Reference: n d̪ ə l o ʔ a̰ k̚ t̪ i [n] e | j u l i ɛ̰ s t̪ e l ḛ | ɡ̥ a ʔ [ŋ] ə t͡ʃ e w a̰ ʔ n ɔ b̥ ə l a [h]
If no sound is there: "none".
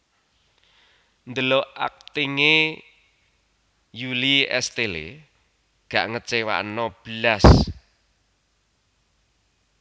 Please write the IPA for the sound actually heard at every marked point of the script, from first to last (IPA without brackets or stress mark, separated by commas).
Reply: ŋ, ŋ, s